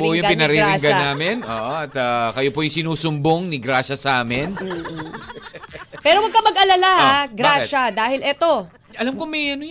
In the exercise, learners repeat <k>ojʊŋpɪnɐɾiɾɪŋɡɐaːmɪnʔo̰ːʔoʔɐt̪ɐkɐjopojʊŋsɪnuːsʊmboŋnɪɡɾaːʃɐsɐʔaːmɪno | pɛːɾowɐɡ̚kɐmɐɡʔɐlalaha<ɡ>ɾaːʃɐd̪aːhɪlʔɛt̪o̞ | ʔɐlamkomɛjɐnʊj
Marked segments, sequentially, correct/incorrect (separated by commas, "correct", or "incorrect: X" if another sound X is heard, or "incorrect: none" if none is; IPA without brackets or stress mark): incorrect: p, correct